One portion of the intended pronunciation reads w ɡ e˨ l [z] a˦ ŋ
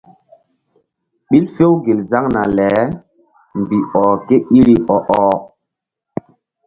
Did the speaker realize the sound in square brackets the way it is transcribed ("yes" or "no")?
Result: yes